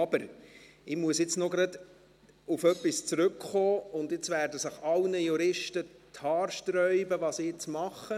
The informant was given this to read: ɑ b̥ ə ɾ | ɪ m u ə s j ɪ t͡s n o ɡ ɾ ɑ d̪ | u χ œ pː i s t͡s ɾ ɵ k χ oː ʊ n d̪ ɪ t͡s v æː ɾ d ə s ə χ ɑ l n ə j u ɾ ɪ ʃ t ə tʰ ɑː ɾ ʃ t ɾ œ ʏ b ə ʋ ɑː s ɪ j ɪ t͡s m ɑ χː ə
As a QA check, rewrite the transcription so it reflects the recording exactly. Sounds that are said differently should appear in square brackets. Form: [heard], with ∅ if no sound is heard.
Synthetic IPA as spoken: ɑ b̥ ə ɾ | ɪ m u ə s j ɪ t͡s n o ɡ ɾ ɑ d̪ | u [f] œ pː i s t͡s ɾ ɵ k χ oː ʊ n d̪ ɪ t͡s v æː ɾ d ə s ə χ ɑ l n ə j u ɾ ɪ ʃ t ə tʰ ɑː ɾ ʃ t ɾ œ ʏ b ə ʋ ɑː s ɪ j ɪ t͡s m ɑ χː ə